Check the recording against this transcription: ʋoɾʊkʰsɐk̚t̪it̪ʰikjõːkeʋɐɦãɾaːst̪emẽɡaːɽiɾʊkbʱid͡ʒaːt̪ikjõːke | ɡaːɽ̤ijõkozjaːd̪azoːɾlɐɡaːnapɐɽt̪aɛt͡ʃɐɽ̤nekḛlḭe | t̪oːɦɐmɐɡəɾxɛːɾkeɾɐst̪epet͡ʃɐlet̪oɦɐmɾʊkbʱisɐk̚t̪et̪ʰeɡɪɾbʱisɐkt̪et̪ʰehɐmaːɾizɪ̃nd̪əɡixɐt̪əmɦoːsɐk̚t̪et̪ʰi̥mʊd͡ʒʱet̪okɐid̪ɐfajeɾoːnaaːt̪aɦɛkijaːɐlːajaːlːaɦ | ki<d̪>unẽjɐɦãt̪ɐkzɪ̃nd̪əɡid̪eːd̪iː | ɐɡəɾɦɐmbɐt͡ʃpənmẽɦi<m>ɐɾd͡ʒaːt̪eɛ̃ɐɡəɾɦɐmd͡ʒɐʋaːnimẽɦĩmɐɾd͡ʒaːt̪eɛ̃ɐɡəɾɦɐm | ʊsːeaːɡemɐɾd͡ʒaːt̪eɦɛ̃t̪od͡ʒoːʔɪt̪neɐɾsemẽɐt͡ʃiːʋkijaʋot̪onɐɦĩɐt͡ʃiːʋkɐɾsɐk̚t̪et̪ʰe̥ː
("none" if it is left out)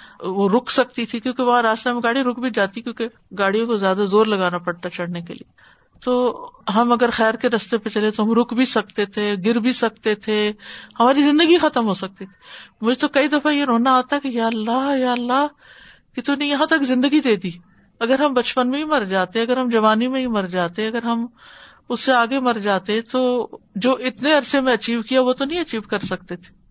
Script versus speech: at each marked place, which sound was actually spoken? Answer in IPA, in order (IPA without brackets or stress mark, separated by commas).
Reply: t̪, m